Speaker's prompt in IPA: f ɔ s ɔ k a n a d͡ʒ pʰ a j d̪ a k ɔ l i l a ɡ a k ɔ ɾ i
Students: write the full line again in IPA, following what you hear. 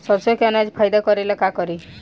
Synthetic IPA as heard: s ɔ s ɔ k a n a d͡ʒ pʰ a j d̪ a k ɔ ɾ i l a k a k ɔ ɾ i